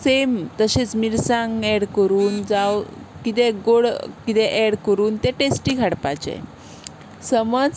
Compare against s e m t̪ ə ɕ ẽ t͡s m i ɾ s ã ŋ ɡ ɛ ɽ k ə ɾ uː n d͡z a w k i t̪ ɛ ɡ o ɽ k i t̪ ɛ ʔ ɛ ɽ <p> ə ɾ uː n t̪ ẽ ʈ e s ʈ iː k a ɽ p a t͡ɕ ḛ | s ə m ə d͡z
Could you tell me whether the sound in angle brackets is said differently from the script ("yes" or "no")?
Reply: yes